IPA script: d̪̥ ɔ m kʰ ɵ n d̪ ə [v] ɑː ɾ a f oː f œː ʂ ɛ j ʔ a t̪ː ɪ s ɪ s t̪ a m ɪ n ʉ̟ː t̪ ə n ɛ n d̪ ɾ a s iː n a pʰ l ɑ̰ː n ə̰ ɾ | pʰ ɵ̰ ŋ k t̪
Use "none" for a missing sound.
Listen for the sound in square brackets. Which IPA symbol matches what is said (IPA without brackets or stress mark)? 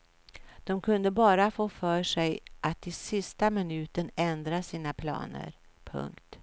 b